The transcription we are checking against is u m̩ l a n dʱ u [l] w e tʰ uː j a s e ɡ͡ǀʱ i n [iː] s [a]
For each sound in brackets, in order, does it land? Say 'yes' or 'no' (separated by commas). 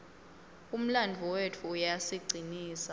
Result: no, yes, yes